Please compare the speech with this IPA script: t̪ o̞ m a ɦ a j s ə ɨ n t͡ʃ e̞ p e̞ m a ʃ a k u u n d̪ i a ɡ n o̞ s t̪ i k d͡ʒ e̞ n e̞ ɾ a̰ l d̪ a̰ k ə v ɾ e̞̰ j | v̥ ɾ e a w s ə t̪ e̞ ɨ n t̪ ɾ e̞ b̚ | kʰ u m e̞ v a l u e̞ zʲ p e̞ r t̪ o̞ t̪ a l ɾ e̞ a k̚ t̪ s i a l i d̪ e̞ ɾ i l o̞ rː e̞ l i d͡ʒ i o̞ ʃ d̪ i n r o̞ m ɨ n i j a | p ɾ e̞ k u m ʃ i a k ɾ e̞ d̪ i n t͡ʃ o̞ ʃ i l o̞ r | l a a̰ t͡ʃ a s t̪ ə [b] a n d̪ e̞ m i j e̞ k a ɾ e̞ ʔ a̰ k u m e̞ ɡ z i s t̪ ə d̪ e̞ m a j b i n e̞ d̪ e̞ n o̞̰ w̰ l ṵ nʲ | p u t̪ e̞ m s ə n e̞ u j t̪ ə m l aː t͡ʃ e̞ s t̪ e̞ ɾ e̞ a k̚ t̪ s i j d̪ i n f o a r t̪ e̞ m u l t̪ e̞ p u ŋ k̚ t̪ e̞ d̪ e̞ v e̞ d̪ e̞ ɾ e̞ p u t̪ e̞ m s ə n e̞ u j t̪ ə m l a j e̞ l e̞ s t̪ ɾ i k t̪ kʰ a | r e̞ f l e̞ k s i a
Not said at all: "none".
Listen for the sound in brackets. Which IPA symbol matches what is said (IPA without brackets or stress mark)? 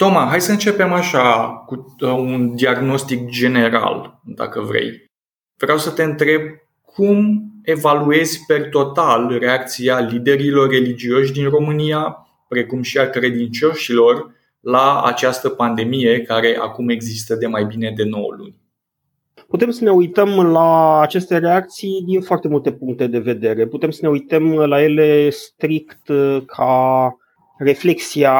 p